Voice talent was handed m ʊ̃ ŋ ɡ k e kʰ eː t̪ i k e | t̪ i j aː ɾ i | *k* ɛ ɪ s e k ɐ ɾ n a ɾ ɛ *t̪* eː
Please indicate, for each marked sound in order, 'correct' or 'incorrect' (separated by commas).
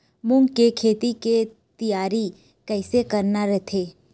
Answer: correct, incorrect